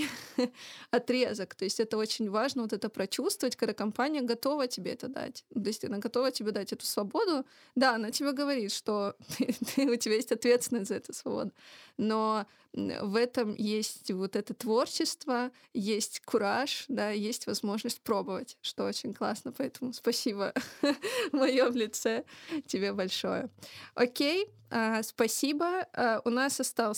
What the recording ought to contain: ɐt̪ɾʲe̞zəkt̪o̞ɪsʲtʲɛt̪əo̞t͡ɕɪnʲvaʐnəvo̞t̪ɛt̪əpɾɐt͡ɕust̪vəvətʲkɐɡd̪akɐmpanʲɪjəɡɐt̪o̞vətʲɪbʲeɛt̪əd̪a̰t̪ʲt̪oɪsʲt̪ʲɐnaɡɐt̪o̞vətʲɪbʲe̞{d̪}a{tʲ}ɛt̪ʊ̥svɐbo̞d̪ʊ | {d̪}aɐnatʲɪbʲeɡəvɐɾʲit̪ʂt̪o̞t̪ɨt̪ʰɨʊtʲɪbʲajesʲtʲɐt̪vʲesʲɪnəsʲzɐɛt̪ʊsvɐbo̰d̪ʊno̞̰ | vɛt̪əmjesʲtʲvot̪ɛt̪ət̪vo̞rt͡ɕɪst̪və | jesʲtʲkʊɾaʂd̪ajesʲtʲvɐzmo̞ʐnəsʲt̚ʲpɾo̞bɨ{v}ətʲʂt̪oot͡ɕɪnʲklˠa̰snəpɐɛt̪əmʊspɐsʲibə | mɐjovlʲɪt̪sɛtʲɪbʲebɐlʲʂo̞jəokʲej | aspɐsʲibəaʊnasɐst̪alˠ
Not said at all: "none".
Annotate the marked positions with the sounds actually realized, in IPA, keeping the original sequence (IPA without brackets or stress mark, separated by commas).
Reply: d̪, tʲ, d̪, v